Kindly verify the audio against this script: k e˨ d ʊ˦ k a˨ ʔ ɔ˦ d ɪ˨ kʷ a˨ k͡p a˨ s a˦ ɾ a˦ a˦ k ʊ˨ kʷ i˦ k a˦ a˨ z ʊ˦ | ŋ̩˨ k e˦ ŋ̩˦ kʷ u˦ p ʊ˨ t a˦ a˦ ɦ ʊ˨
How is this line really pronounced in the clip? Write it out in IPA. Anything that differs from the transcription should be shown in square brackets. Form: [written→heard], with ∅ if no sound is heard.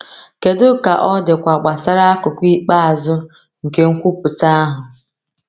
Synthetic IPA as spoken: k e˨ d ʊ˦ k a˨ ʔ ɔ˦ d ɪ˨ kʷ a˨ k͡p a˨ s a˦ ɾ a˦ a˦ k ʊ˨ kʷ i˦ [k→k͡p] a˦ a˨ z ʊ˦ | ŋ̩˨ k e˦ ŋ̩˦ kʷ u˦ p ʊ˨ t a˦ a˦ ɦ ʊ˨